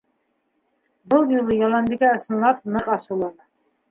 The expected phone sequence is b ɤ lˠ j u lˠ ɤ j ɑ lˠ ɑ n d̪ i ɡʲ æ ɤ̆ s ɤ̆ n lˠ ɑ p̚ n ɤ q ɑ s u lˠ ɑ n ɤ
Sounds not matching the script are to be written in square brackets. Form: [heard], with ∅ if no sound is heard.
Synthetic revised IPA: b ɤ lˠ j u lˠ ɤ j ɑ lˠ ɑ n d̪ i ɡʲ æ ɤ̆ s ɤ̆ n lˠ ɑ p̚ n ɤ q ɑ s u lˠ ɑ n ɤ